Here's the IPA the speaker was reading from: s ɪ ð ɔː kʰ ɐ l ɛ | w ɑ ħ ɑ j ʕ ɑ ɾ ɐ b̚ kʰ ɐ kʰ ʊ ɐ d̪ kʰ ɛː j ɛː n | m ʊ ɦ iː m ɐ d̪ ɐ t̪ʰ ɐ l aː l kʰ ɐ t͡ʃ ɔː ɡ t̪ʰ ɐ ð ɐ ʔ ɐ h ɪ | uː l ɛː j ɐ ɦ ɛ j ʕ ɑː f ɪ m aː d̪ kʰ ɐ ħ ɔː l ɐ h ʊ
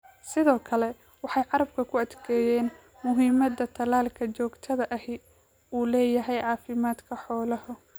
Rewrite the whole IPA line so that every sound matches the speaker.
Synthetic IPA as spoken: s ɪ ð ɔː kʰ ɐ l ɛ | w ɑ ħ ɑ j ʕ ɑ ɾ ɐ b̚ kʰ ɐ kʰ ʊ ɐ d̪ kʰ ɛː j ɛː n | m ʊ ɦ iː m ɐ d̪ ɐ t̪ʰ ɐ l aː l kʰ ɐ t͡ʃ ɔː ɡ t̪ʰ ɐ ð ɐ ʔ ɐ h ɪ | uː l ɛː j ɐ ɦ ɛ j ʕ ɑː f ɪ m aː d̪ kʰ ɐ ħ ɔː l ɐ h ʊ

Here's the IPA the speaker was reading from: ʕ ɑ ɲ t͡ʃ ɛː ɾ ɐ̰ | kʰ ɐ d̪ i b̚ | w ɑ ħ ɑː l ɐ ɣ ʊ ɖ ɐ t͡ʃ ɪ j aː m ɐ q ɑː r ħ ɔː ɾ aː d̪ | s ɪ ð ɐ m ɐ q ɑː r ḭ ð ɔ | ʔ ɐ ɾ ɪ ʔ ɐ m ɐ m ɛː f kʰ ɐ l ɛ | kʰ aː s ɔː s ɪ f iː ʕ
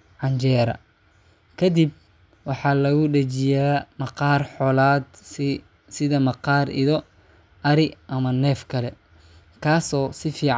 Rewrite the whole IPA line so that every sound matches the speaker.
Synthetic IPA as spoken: ʕ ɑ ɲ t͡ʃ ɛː ɾ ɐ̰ | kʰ ɐ d̪ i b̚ | w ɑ ħ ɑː l ɐ ɣ ʊ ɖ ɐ t͡ʃ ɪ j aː m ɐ q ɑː r ħ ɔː l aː d̪ | s ɪ ð ɐ m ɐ q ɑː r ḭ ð ɔ | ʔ ɐ ɾ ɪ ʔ ɐ m ɐ n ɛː f kʰ ɐ l ɛ | kʰ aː s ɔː s ɪ f iː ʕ

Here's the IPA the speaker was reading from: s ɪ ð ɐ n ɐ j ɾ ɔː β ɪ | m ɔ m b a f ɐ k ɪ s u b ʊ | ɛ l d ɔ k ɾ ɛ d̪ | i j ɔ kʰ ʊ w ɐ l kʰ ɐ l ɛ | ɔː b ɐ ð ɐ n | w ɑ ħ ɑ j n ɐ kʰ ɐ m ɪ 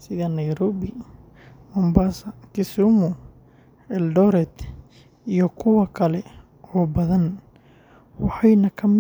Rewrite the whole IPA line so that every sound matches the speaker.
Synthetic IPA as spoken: s ɪ ð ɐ n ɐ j ɾ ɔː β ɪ | m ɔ m b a s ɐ k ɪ s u m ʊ | ɛ l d ɔ ɾ ɛ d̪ | i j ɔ kʰ ʊ w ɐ kʰ ɐ l ɛ | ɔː b ɐ ð ɐ n | w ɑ ħ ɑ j n ɐ kʰ ɐ m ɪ

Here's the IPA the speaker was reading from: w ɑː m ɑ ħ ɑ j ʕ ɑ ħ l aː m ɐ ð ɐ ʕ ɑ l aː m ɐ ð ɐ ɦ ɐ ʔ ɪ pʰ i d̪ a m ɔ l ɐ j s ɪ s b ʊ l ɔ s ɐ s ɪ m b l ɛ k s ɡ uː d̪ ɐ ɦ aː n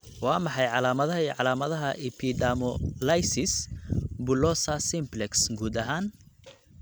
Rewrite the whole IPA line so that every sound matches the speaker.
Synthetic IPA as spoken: w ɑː m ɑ ħ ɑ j ʕ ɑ l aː m ɐ ð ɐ ʕ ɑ l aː m ɐ ð ɐ ɦ ɐ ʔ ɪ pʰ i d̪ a m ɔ l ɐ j s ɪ s b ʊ l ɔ s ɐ s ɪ m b l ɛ k s ɡ uː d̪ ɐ ɦ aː n

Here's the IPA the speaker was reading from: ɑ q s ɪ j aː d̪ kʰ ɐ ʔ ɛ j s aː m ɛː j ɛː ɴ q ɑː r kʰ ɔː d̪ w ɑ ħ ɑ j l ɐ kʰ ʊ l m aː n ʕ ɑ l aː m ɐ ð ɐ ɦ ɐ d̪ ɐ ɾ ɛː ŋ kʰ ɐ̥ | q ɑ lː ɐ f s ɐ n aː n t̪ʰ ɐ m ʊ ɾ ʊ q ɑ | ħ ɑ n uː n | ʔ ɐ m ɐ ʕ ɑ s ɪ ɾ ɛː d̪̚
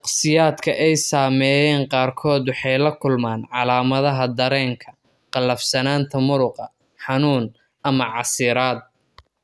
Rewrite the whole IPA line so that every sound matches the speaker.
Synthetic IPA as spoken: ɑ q s ɪ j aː d̪ kʰ ɐ ʔ ɛ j s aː m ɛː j ɛː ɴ q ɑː r kʰ ɔː d̪ w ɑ ħ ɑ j l ɐ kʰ ʊ l m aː n ʕ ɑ l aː m ɐ ð ɐ ɦ ɐ d̪ ɐ ɾ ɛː ŋ kʰ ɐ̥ | q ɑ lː ɐ f s ɐ n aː n t̪ʰ ɐ m ʊ ɾ ʊ q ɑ | ħ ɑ n uː n | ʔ ɐ m ɐ ʕ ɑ s ɪ ɾ aː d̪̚

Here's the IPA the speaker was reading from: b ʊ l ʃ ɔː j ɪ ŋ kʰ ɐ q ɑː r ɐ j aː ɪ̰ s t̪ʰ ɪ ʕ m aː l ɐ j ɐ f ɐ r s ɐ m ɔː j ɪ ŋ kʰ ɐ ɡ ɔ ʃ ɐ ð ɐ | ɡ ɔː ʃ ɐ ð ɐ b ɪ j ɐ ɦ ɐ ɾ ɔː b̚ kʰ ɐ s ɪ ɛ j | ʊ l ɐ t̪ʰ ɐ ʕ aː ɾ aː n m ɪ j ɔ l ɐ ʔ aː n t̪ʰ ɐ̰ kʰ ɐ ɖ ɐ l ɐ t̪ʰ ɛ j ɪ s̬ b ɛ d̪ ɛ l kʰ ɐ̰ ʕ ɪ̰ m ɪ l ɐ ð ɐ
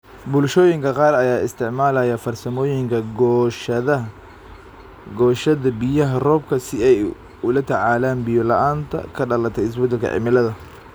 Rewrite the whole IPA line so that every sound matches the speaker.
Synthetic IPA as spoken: b ʊ l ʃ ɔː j ɪ ŋ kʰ ɐ q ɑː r ɐ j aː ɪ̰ s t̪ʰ ɪ ʕ m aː l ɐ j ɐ f ɐ r s ɐ m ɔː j ɪ ŋ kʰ ɐ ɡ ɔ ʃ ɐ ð ɐ | ɡ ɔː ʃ ɐ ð ɐ b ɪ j ɐ ɦ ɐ r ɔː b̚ kʰ ɐ s ɪ ɛ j | ʊ l ɐ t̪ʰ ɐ ʕ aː l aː n b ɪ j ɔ l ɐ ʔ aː n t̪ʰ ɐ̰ kʰ ɐ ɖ ɐ l ɐ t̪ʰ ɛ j ɪ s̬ b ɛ d̪ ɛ l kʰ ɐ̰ ʕ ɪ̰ m ɪ l ɐ ð ɐ

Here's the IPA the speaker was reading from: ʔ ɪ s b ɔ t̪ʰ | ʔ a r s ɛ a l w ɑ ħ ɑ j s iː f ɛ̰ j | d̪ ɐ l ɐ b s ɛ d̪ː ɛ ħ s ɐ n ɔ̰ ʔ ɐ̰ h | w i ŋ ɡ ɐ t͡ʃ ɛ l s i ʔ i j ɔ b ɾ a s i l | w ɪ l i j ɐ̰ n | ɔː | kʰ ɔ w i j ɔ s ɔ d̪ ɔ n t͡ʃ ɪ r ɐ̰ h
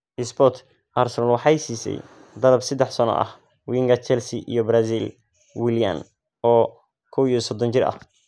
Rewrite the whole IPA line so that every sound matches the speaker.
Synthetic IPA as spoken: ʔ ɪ s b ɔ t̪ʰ | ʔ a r s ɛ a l w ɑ ħ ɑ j s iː s ɛ̰ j | d̪ ɐ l ɐ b s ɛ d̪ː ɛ ħ s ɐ n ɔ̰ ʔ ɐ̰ h | w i ŋ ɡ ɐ t͡ʃ ɛ l s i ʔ i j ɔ b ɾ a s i l | w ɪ l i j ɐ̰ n | ɔː | kʰ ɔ w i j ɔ s ɔ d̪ ɔ n t͡ʃ ɪ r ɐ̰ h

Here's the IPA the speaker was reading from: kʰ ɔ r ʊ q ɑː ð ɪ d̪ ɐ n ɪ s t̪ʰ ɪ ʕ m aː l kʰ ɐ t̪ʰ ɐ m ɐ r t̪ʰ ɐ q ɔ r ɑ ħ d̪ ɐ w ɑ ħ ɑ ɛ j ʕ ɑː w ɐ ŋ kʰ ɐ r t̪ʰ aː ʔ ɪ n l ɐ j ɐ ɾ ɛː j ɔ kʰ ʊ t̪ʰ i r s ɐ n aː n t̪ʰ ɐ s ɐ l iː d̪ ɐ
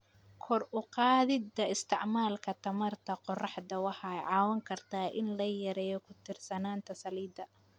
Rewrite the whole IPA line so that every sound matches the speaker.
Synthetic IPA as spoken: kʰ ɔ r ʊ q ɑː ð ɪ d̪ ɐ ɪ s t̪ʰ ɪ ʕ m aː l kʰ ɐ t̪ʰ ɐ m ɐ r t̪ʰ ɐ q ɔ r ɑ ħ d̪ ɐ w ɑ ħ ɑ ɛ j ʕ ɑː w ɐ ŋ kʰ ɐ r t̪ʰ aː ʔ ɪ n l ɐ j ɐ ɾ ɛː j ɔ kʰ ʊ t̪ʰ ɪ r s ɐ n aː n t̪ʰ ɐ s ɐ l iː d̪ ɐ

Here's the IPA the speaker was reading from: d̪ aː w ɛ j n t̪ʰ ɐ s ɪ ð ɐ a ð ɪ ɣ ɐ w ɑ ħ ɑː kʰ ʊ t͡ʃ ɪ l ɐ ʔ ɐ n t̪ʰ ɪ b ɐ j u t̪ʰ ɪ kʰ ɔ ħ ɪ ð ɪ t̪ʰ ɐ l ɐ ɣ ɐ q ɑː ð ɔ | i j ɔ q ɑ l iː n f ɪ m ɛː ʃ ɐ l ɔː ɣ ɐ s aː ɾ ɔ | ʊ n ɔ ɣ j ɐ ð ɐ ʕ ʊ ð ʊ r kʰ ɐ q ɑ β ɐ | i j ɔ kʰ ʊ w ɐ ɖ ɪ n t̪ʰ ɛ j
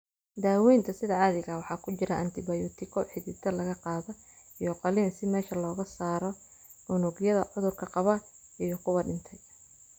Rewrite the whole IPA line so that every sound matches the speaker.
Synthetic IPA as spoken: d̪ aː w ɛ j n t̪ʰ ɐ s ɪ ð ɐ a ð ɪ ɣ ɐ w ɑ ħ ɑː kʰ ʊ t͡ʃ ɪ ɾ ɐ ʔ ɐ n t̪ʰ ɪ b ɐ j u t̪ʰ ɪ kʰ ɔ ħ ɪ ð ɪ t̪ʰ ɐ l ɐ ɣ ɐ q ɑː ð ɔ | i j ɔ q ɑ l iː n s ɪ m ɛː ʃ ɐ l ɔː ɣ ɐ s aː ɾ ɔ | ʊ n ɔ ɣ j ɐ ð ɐ ʕ ʊ ð ʊ r kʰ ɐ q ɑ β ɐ | i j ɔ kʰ ʊ w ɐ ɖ ɪ n t̪ʰ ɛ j

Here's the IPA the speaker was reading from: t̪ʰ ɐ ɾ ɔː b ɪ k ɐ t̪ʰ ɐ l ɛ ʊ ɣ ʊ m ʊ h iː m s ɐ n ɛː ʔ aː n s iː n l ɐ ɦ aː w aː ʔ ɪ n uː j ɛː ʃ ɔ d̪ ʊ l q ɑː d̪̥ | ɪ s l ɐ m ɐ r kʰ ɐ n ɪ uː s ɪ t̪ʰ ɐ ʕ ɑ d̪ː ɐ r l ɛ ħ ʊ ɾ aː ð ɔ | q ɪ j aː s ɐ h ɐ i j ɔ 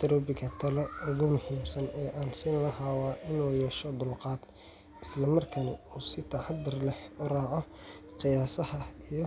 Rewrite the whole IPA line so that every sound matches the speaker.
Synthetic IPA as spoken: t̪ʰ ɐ ɾ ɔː b ɪ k ɐ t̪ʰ ɐ l ɛ ʊ ɣ ʊ m ʊ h iː m s ɐ n ɛː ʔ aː n s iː n l ɐ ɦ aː w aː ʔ ɪ n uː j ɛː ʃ ɔ d̪ ʊ l q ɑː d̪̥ | ɪ s l ɐ m ɐ r kʰ ɐ n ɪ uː s ɪ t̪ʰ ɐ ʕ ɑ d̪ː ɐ r l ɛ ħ ʊ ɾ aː ʕ ɔ | q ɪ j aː s ɐ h ɐ i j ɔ

